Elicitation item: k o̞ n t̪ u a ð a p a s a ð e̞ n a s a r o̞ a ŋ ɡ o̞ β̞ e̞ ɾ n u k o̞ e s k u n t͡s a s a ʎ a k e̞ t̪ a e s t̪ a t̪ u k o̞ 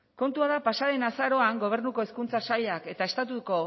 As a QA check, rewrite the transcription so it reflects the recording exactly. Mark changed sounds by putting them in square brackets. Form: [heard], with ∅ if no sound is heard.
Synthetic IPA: k o̞ n t̪ u a ð a p a s a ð e̞ n a s a [ɾ] o̞ a ŋ ɡ o̞ β̞ e̞ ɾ n u k o̞ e s k u n t͡s a s a ʎ a k e̞ t̪ a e s t̪ a t̪ u k o̞

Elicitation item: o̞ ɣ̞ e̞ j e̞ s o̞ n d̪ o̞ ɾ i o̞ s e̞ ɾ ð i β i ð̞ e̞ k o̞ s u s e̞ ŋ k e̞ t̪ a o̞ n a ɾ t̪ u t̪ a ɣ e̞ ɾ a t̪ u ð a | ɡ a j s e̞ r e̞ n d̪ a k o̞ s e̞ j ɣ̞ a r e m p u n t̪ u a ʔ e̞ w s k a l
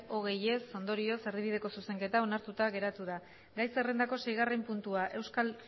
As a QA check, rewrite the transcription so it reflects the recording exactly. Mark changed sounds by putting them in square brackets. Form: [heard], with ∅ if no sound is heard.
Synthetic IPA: o̞ ɣ̞ e̞ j e̞ s o̞ n d̪ o̞ ɾ i o̞ s e̞ ɾ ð i β i ð̞ e̞ k o̞ s u s e̞ ŋ k e̞ t̪ a o̞ n a ɾ t̪ u t̪ a ɣ e̞ ɾ a t̪ u ð a | ɡ a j s e̞ r e̞ n d̪ a k o̞ s e̞ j ɣ̞ a r e m p u n t̪ u a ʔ e̞ w s k a l

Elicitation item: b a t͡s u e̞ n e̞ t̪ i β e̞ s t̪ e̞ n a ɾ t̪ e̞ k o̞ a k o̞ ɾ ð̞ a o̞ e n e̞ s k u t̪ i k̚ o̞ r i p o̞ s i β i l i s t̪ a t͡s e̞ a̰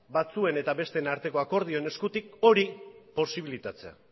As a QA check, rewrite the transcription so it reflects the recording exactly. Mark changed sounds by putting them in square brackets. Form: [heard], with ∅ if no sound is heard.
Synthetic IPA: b a t͡s u e̞ n e̞ t̪ [a] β e̞ s t̪ e̞ n a ɾ t̪ e̞ k o̞ a k o̞ ɾ ð̞ [i] o̞ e n e̞ s k u t̪ i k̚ o̞ [ɾ] i p o̞ s i β i l i [∅] t̪ a t͡s e̞ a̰

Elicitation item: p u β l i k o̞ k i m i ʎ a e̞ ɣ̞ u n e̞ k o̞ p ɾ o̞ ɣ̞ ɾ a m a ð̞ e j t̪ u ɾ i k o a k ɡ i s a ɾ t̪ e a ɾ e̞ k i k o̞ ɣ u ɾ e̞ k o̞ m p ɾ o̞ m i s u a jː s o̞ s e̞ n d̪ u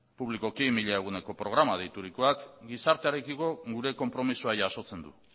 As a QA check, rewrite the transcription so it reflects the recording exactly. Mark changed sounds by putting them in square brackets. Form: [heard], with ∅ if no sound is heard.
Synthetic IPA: p u β l i k o̞ k i m i ʎ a e̞ ɣ̞ u n e̞ k o̞ p ɾ o̞ ɣ̞ ɾ a m a ð̞ e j t̪ u ɾ i k o a k ɡ i s a ɾ t̪ e a ɾ e̞ k i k o̞ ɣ u ɾ e̞ k o̞ m p ɾ o̞ m i s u a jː s o̞ [t͡s] e̞ n d̪ u

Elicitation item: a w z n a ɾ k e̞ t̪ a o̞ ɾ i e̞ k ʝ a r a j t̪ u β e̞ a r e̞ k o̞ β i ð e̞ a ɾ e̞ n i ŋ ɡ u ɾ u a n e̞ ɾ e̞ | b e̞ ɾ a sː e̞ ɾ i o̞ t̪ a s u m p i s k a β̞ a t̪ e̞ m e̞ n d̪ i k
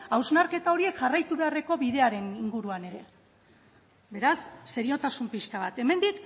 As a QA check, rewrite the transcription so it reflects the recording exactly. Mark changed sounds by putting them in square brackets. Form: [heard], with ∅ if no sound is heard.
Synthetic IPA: a w z n a ɾ k e̞ t̪ a o̞ ɾ i e̞ k ʝ a r a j t̪ u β e̞ a r e̞ k o̞ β i ð e̞ a ɾ e̞ n i ŋ ɡ u ɾ u a n e̞ ɾ e̞ | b e̞ ɾ a sː e̞ ɾ i o̞ t̪ a s u m p i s k a β̞ a t̪ e̞ m e̞ n d̪ i k

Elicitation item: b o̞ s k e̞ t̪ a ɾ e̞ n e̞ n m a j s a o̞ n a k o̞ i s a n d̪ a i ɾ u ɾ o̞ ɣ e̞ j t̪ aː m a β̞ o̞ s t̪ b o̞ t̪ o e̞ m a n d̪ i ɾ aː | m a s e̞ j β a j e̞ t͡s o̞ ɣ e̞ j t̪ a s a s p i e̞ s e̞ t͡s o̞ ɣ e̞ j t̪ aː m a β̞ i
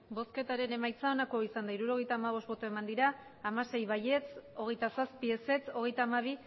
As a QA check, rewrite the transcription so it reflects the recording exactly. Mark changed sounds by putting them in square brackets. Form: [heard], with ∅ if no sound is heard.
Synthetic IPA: b o̞ s k e̞ t̪ a ɾ e̞ n e̞ [∅] m a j [t͡s] a o̞ n a k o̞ i s a n d̪ a i ɾ u ɾ o̞ ɣ e̞ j t̪ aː m a β̞ o̞ s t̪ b o̞ t̪ o e̞ m a n d̪ i ɾ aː | m a s e̞ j β a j e̞ t͡s o̞ ɣ e̞ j t̪ a s a s p i e̞ s e̞ t͡s o̞ ɣ e̞ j t̪ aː m a β̞ i

